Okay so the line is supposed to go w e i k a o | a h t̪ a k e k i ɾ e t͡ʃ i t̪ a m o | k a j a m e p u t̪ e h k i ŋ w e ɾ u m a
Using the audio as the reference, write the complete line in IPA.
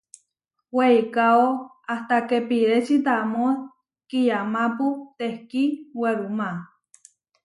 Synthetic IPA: w e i k a o | a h t̪ a k e p i ɾ e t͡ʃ i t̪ a m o | k i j a m a p u t̪ e h k i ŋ w e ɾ u m a

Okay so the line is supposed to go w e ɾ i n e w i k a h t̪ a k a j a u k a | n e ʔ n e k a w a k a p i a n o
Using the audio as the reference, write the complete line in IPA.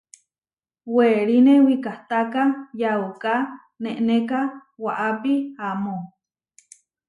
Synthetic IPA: w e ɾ i n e w i k a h t̪ a k a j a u k a | n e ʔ n e k a w a ʔ a p i a m o

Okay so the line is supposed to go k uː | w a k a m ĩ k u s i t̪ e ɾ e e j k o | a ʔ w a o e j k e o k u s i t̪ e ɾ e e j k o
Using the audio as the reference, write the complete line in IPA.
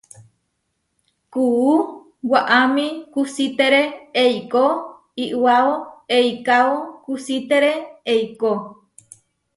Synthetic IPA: k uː | w a ʔ a m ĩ k u s i t̪ e ɾ e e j k o | i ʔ w a o e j k a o k u s i t̪ e ɾ e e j k o

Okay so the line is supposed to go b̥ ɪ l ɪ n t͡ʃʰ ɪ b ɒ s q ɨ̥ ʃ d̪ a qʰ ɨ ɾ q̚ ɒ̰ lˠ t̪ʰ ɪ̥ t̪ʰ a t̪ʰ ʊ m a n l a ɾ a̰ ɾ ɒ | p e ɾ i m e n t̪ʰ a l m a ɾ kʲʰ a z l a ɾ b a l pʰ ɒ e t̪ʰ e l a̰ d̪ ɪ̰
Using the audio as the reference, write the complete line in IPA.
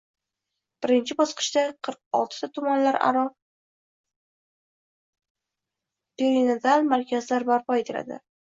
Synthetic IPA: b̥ ɪ ɾ ɪ n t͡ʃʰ ɪ b ɒ s q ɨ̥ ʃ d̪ a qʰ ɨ ɾ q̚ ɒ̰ lˠ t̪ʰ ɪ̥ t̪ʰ a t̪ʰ ʊ m a n l a ɾ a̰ ɾ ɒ | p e ɾ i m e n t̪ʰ a l m a ɾ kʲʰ a z l a ɾ b a ɾ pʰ ɒ e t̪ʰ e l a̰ d̪ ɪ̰

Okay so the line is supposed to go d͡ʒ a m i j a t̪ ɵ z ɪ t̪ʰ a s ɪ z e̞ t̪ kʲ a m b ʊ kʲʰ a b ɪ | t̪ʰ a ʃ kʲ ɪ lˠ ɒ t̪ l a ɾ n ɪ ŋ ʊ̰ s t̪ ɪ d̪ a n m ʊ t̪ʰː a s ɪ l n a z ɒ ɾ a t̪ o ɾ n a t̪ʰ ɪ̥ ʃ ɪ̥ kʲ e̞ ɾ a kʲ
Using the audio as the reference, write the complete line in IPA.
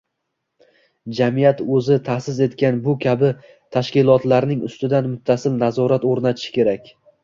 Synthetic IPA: d͡ʒ a m i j a t̪ ɵ z ɪ t̪ʰ a s ɪ z e̞ t̪ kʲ a n b ʊ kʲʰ a b ɪ | t̪ʰ a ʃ kʲ ɪ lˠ ɒ t̪ l a ɾ n ɪ ŋ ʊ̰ s t̪ ɪ d̪ a n m ʊ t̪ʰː a s ɪ l n a z ɒ ɾ a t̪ o ɾ n a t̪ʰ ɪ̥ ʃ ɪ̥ kʲ e̞ ɾ a kʲ

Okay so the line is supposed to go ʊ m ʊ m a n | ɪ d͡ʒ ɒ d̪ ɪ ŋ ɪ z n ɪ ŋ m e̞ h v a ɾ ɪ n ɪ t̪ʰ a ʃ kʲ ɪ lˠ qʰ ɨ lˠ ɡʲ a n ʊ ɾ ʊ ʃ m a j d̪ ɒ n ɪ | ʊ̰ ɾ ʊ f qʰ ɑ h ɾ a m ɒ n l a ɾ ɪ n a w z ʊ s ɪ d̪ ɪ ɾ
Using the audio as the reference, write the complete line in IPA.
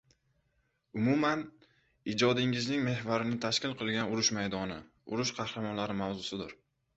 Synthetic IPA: ʊ m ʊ m a n | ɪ d͡ʒ ɒ d̪ ɪ ŋ ɪ z n ɪ ŋ m e̞ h v a ɾ ɪ n ɪ t̪ʰ a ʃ kʲ ɪ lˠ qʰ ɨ lˠ ɡʲ a n ʊ ɾ ʊ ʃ m a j d̪ ɒ n ɪ | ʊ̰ ɾ ʊ ʃ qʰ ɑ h ɾ a m ɒ n l a ɾ ɪ m a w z ʊ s ɪ d̪ ɪ ɾ

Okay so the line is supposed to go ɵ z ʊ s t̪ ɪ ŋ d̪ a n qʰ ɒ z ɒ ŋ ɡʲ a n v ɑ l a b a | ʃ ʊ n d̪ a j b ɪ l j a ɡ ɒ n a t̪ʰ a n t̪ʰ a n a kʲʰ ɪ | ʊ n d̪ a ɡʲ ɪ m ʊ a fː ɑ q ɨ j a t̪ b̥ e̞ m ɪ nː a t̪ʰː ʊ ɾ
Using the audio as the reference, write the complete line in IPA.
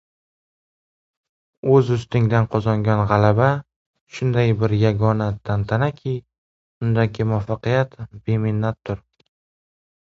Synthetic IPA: ɵ z ʊ s t̪ ɪ ŋ d̪ a n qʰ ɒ z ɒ ŋ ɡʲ a n ʁ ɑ l a b a | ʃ ʊ n d̪ a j b ɪ ɾ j a ɡ ɒ n a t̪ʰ a n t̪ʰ a n a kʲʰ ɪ | ʊ n d̪ a ɡʲ ɪ m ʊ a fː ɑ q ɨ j a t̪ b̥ e̞ m ɪ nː a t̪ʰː ʊ ɾ

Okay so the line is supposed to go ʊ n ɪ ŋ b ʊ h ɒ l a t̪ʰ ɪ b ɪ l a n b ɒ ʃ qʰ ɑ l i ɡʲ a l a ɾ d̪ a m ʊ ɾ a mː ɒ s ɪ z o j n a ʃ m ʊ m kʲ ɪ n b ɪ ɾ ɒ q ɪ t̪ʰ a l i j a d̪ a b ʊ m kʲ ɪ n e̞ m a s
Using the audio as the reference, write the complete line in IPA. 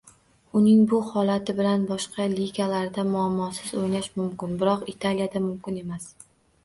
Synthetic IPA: ʊ n ɪ ŋ b ʊ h ɒ l a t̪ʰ ɪ b ɪ l a n b ɒ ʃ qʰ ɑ l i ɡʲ a l a ɾ d̪ a m ʊ a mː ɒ s ɪ z o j n a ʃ m ʊ m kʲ ɪ n b ɪ ɾ ɒ q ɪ t̪ʰ a l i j a d̪ a m ʊ m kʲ ɪ n e̞ m a s

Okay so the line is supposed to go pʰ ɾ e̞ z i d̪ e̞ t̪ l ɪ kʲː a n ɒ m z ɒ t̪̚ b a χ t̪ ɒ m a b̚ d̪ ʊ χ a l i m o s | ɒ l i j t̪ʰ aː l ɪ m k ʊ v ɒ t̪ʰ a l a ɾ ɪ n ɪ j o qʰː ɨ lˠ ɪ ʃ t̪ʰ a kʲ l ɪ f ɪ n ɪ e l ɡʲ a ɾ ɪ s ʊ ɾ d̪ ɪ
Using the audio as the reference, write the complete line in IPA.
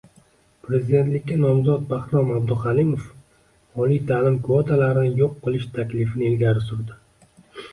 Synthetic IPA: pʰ ɾ e̞ z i d̪ e̞ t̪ l ɪ kʲː a n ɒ m z ɒ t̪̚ b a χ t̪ ɒ m a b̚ d̪ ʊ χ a l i m o f | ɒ l i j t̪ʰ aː l ɪ m k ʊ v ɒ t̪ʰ a l a ɾ ɪ n ɪ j o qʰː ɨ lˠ ɪ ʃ t̪ʰ a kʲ l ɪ f ɪ n ɪ e l ɡʲ a ɾ ɪ s ʊ ɾ d̪ ɪ

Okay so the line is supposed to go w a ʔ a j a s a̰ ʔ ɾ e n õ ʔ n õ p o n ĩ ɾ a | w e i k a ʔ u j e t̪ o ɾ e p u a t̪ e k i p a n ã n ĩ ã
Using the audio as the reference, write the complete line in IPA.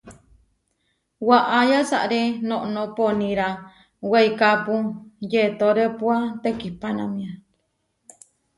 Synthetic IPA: w a ʔ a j a s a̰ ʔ ɾ e n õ ʔ n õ p o n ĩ ɾ a | w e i k a p u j e t̪ o ɾ e p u a t̪ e k i p a n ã m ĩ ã

